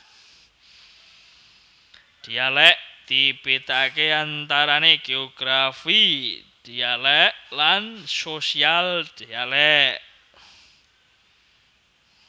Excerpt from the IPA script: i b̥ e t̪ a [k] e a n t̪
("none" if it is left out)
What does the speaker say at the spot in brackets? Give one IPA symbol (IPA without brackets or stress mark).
k